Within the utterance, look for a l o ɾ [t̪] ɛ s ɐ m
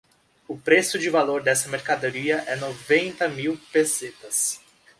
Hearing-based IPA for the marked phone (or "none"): d̪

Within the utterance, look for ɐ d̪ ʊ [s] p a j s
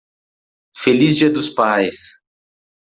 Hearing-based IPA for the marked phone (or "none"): s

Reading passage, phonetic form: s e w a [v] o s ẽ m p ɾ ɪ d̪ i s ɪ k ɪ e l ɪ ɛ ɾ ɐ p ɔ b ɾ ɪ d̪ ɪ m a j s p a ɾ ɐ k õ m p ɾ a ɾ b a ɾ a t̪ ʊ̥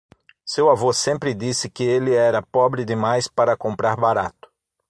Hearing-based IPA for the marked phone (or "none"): v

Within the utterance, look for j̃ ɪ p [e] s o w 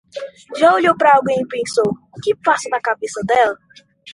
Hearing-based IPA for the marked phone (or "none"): ẽ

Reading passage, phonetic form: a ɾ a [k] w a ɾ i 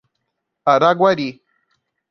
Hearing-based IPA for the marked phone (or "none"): ɡ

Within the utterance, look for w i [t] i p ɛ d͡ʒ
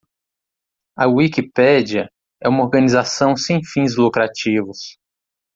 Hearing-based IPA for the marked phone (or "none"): k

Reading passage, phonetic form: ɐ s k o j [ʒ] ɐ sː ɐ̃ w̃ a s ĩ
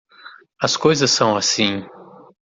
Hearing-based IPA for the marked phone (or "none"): z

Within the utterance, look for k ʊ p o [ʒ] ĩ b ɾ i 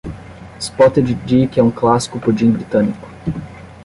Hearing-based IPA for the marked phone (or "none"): d͡ʒ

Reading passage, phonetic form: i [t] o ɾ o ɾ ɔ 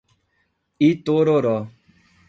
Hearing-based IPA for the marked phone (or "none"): t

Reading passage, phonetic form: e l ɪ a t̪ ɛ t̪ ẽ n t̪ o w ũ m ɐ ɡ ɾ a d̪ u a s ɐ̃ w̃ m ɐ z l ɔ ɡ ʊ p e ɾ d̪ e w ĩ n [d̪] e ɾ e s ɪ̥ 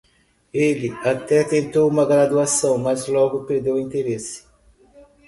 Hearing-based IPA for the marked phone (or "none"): t̪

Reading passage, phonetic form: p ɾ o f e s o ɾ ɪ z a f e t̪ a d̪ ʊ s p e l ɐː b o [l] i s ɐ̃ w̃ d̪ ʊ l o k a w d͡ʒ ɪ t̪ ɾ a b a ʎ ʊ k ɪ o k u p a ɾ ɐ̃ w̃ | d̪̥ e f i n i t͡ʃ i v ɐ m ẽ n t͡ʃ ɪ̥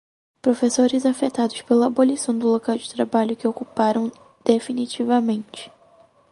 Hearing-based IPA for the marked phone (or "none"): l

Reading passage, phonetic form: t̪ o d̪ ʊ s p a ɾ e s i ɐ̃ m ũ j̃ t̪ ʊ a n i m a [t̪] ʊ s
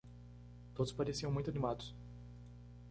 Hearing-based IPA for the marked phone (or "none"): d̪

